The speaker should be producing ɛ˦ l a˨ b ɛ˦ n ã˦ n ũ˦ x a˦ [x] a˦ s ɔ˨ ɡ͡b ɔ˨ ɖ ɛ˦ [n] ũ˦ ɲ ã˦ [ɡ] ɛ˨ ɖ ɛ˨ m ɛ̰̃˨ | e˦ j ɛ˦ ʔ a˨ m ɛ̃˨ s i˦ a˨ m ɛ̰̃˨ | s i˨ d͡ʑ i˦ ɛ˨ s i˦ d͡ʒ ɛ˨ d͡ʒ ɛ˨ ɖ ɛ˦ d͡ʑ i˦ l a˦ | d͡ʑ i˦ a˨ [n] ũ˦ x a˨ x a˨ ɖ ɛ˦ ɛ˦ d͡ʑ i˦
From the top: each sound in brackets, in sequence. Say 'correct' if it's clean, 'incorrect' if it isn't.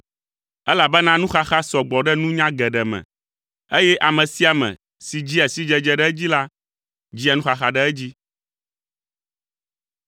correct, correct, correct, correct

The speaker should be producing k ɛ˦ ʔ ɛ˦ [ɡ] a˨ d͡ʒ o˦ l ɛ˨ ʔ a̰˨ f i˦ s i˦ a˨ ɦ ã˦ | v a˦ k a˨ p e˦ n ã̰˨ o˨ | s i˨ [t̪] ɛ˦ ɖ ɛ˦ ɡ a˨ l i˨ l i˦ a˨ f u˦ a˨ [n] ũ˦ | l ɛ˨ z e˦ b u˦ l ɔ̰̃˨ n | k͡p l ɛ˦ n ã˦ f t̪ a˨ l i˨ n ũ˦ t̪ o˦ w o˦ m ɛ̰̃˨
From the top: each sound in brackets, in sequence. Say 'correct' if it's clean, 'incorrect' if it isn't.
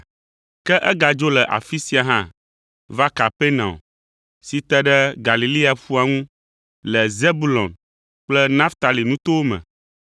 correct, correct, incorrect: ŋ

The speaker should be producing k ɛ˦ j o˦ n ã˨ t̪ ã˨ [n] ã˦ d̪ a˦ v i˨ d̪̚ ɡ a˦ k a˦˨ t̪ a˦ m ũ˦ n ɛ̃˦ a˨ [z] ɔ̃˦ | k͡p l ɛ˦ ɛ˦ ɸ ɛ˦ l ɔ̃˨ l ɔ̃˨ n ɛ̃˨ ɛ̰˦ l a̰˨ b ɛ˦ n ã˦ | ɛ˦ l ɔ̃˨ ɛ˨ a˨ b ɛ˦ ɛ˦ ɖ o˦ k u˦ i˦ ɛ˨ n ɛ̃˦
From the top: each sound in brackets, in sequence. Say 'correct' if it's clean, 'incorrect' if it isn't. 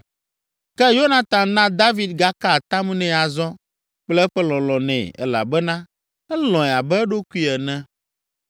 correct, correct

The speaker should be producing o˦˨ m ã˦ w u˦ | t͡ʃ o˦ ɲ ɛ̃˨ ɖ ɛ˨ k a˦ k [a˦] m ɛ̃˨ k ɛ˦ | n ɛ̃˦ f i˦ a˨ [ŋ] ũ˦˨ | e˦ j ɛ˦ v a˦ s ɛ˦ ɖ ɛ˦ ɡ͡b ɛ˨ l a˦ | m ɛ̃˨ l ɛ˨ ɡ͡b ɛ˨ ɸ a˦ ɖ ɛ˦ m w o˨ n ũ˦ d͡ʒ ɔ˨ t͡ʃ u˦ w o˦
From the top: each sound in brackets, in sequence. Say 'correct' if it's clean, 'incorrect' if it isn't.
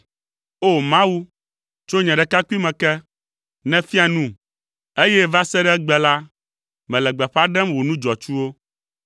incorrect: i˦, incorrect: n

